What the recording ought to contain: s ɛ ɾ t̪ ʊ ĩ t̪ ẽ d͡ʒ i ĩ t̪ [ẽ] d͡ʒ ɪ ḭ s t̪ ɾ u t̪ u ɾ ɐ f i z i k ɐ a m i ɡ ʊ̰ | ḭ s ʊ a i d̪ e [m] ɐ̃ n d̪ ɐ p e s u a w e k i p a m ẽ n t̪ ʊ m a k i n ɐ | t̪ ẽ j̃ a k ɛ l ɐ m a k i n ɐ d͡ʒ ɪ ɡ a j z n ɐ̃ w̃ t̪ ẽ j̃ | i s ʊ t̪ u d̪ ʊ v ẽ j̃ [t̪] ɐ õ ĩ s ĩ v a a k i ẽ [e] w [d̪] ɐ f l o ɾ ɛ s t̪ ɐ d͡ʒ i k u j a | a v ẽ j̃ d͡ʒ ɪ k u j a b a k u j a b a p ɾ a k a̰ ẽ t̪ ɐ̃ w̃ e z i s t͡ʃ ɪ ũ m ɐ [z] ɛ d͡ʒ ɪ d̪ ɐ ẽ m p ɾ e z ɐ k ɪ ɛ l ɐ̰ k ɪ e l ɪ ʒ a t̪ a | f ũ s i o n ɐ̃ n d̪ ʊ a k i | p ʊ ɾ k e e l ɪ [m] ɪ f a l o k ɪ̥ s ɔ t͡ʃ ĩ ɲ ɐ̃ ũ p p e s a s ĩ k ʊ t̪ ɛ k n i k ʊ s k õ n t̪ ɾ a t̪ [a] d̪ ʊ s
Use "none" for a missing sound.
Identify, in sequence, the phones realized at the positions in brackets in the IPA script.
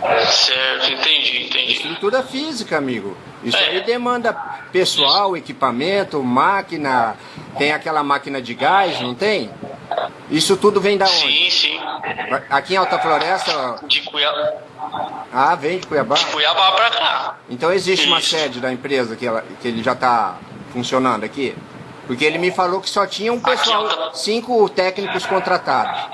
ẽ, m, d̪, a, t̪, s, m, a

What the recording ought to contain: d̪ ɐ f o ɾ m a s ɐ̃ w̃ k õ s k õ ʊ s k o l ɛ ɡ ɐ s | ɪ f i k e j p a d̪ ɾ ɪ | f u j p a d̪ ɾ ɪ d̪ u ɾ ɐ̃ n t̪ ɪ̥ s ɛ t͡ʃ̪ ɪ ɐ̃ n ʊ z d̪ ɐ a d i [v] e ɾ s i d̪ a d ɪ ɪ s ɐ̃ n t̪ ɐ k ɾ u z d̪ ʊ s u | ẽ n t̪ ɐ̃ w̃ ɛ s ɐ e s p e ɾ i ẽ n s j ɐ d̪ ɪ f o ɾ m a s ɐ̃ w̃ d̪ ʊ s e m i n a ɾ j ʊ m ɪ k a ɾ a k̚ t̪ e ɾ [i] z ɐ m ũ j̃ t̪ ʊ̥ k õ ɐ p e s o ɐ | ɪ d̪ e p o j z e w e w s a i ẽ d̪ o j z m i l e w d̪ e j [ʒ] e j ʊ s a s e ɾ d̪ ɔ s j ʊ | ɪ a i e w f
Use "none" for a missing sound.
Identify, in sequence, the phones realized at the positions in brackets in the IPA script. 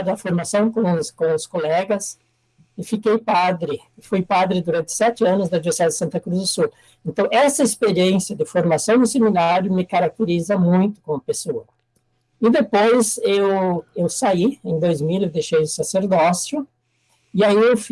v, i, ʃ

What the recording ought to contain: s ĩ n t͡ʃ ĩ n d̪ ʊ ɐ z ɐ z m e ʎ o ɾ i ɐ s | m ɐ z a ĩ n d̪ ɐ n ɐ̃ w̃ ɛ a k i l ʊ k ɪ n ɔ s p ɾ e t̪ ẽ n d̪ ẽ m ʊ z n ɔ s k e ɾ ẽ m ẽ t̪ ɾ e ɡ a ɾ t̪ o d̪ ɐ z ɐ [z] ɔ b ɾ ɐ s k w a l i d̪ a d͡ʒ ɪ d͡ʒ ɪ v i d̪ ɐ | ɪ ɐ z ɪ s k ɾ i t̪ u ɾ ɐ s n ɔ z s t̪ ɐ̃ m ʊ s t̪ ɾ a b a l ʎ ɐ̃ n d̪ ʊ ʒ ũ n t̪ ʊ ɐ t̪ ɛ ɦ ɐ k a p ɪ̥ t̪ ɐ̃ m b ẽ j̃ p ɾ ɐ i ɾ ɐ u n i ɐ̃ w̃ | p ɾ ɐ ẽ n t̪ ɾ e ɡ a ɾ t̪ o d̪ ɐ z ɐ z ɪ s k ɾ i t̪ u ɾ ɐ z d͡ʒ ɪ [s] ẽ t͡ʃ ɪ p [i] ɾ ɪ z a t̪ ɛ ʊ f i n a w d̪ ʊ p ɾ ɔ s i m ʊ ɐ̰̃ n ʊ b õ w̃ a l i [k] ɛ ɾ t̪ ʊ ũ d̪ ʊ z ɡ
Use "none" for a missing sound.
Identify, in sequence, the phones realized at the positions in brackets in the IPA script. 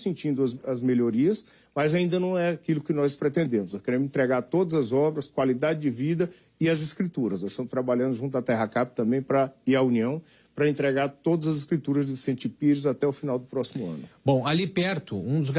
z, s, i, p

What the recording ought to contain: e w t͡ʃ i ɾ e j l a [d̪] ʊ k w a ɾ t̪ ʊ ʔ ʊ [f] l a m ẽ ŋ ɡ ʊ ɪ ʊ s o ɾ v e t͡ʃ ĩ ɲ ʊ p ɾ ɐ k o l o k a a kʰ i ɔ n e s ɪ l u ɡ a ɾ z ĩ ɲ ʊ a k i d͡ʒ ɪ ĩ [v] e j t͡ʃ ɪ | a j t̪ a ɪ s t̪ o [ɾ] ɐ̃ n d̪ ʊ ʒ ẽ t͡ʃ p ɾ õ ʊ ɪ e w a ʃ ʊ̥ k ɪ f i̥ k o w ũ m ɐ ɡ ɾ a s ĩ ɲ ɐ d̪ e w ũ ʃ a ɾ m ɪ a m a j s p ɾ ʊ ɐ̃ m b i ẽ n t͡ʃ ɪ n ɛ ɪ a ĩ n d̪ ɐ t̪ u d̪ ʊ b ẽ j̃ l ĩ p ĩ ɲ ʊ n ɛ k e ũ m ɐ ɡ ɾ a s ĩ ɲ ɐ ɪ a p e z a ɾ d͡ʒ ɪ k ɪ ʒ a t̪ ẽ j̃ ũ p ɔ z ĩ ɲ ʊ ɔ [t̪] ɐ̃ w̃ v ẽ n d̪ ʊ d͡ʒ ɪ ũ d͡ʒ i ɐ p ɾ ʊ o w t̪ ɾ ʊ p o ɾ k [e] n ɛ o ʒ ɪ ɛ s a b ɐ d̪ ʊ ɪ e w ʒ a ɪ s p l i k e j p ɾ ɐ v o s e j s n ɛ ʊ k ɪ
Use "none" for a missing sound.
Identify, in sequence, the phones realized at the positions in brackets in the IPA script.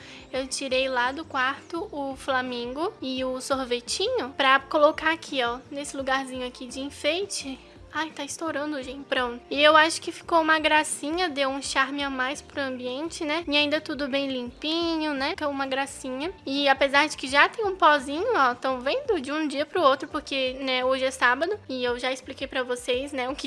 d̪, f, f, ɾ, t̪, e

